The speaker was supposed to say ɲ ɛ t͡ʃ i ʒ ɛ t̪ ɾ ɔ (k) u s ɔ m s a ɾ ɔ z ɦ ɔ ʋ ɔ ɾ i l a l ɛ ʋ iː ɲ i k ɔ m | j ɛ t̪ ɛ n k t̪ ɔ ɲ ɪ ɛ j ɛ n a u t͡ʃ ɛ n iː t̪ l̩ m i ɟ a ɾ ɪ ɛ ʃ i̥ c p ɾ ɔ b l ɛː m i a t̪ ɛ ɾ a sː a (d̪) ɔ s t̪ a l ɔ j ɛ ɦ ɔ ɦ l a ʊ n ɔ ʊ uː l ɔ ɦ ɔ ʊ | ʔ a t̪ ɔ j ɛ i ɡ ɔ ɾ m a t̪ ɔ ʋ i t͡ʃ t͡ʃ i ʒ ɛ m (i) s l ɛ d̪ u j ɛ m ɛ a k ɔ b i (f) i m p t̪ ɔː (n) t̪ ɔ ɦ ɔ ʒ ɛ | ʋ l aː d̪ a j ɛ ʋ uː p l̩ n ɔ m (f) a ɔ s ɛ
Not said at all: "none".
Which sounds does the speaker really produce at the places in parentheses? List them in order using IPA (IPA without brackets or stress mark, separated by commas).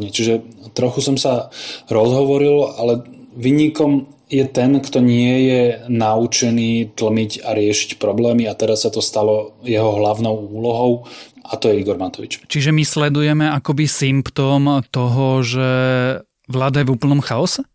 x, t̪, i, s, m, x